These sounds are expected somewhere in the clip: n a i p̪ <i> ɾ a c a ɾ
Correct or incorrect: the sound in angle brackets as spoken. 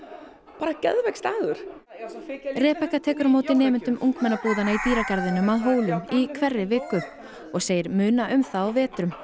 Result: incorrect: iː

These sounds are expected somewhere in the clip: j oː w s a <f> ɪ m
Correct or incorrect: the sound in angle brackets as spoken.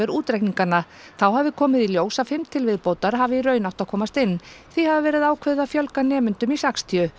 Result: correct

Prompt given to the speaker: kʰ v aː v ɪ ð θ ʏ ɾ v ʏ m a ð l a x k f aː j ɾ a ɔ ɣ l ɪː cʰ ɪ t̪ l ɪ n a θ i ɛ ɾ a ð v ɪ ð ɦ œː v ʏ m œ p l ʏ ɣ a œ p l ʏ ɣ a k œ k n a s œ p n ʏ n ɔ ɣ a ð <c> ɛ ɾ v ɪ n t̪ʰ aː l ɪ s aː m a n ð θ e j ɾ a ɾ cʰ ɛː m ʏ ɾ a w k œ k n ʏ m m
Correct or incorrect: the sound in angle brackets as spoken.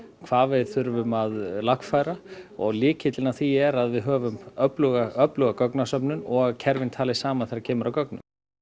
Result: incorrect: cʰ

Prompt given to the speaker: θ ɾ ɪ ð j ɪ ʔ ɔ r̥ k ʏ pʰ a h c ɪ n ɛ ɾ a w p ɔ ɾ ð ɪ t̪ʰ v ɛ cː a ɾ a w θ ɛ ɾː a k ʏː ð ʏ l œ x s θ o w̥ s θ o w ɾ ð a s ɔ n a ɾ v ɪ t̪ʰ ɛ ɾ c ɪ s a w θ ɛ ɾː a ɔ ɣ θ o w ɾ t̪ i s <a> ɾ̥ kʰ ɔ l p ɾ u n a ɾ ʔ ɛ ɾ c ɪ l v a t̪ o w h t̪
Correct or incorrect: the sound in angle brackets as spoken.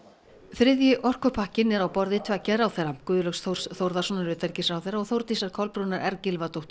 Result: correct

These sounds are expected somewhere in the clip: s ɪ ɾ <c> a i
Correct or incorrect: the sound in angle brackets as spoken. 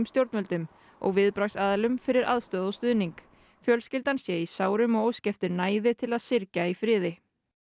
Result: correct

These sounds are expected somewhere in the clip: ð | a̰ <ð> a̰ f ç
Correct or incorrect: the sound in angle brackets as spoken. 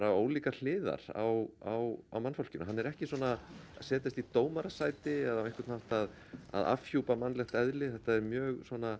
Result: correct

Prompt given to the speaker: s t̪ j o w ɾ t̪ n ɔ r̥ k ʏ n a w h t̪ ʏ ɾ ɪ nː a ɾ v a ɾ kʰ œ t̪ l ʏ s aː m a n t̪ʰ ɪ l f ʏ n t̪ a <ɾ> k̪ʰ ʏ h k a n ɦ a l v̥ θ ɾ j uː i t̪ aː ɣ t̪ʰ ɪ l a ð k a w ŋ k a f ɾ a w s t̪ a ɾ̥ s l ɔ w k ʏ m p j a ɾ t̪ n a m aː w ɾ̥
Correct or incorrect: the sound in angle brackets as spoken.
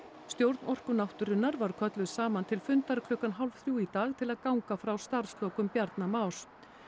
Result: correct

